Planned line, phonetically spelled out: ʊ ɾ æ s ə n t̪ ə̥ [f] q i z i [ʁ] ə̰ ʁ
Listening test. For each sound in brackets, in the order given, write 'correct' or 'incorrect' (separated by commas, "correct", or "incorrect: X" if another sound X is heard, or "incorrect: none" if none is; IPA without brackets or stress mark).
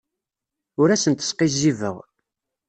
incorrect: s, incorrect: v